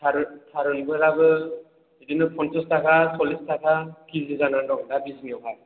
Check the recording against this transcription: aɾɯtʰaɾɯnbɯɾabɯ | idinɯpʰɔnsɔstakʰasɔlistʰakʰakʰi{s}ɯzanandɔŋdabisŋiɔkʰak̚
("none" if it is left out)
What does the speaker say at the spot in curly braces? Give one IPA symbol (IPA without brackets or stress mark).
z